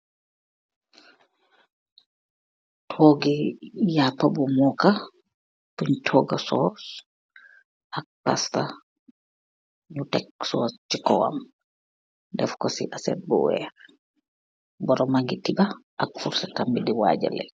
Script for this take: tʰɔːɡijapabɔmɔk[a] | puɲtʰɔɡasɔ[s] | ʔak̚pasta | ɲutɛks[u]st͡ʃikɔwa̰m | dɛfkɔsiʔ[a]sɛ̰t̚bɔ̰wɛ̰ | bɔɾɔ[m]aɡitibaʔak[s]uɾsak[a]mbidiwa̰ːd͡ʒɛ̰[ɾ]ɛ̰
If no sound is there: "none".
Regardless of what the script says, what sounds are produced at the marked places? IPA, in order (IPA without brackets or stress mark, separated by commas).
a, s, ɔ, a, m, f, a, l